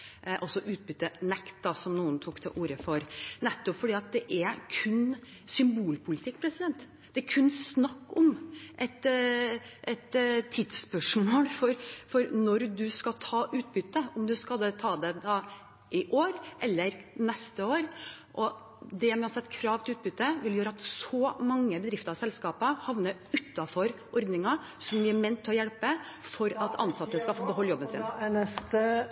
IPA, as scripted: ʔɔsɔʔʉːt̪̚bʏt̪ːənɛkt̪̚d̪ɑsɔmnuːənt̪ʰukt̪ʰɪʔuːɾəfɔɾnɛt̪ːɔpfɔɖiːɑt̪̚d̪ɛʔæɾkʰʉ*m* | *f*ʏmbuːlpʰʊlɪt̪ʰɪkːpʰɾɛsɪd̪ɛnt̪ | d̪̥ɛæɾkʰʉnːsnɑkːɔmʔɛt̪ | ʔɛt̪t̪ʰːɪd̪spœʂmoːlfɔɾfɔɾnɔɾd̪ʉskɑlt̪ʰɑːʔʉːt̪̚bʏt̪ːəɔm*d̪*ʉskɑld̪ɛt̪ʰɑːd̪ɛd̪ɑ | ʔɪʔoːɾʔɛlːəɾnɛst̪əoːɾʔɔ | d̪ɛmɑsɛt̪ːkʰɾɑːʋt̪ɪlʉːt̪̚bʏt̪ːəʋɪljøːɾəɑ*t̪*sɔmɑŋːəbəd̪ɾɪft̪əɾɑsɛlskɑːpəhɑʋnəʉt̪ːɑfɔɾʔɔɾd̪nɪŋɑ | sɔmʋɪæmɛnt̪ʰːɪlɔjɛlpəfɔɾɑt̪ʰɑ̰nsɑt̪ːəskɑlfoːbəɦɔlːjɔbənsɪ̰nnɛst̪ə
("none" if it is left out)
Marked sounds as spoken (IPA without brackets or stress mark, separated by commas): n, s, d̪, t̪